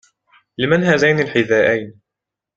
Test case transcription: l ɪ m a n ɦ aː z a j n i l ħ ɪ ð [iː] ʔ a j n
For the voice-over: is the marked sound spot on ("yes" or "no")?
no